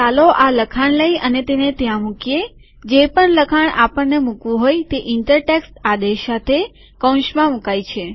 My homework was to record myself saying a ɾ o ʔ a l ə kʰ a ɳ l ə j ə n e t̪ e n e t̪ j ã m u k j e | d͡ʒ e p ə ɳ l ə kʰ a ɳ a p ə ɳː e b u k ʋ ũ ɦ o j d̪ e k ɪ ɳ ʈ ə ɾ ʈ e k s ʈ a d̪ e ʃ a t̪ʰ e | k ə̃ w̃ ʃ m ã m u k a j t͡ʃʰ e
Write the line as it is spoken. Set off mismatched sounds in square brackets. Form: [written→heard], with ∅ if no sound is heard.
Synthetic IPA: a [ɾ→l] o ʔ a l ə kʰ a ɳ l ə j ə n e t̪ e n e t̪ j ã m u k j e | d͡ʒ e p ə ɳ l ə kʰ a ɳ a p ə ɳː e [b→m] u k ʋ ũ ɦ o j [d̪→t̪] e [k→ʔ] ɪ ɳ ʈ ə ɾ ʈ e k s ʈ a d̪ e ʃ a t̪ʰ e | k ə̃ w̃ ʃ m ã m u k a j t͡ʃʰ e

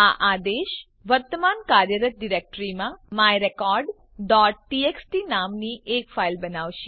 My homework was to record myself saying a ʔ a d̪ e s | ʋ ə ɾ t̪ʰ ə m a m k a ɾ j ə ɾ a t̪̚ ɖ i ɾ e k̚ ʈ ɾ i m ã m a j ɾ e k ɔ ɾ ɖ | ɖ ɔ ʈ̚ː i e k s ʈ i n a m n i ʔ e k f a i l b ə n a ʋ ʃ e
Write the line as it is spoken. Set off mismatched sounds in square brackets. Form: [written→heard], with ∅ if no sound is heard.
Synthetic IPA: a ʔ a d̪ e [s→ʃ] | ʋ ə ɾ [t̪ʰ→t̪] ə m a [m→n] k a ɾ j ə ɾ [a→ə] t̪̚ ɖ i ɾ e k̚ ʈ ɾ i m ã m a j ɾ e k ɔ ɾ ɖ | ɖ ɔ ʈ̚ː i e k s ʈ i n a m n i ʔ e k f a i l b ə n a ʋ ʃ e

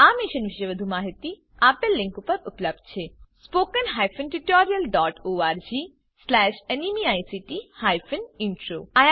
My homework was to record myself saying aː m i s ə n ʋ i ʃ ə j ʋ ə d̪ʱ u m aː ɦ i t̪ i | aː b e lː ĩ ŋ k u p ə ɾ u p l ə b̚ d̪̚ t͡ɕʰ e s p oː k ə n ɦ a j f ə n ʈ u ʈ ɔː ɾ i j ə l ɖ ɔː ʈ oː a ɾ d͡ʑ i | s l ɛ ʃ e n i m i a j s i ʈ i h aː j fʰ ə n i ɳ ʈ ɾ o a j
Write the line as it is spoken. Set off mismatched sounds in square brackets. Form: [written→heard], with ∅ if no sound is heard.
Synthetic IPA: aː m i [s→ʃ] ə n ʋ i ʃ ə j ʋ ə d̪ʱ u m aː ɦ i t̪ i | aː [b→p] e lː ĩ ŋ k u p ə ɾ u p l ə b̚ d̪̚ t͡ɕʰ e s p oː k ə n ɦ a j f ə n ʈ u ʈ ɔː ɾ i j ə l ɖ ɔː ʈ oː a ɾ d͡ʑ i | s l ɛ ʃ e n i m i a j s i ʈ i h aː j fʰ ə n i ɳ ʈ ɾ o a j

